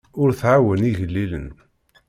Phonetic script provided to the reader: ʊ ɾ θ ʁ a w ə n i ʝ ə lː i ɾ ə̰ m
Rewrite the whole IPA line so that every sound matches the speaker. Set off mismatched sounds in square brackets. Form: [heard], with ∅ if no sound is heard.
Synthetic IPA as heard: ʊ ɾ θ [ʕ] a w ə n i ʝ ə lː i [l] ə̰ [n]